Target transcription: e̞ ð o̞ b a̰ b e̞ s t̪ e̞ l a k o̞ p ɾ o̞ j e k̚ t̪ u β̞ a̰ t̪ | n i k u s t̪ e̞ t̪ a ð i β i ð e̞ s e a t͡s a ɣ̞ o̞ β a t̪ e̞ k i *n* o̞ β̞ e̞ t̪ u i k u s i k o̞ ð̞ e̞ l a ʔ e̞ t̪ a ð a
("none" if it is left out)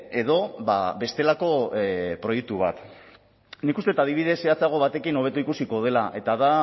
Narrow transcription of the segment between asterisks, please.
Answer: n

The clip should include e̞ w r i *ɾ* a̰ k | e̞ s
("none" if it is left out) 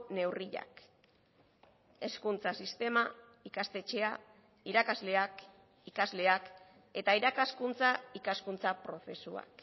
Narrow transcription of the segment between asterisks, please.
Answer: ʎ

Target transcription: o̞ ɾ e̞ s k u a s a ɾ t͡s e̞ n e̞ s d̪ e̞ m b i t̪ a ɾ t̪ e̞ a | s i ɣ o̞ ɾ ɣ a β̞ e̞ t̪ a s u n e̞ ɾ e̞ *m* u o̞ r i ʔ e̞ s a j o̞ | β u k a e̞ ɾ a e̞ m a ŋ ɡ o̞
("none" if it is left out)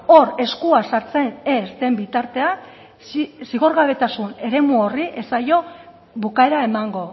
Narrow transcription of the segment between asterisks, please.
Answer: m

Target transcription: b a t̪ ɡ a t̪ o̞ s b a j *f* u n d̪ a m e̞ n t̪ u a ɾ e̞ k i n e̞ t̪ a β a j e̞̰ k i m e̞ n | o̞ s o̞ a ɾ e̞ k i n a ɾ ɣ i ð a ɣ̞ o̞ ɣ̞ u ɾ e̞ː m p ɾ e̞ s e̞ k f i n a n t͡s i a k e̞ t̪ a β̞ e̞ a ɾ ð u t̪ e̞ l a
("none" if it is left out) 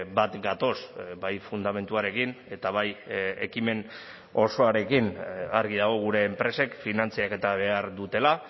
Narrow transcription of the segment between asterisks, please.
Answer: f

